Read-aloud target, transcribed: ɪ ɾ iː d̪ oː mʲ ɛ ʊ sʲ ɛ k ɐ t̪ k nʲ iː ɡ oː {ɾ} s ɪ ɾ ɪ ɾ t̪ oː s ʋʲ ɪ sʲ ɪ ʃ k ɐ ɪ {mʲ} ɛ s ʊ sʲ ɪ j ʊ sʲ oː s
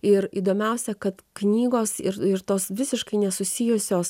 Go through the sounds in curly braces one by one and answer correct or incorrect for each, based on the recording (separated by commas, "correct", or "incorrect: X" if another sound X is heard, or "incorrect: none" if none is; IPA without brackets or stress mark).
incorrect: none, incorrect: nʲ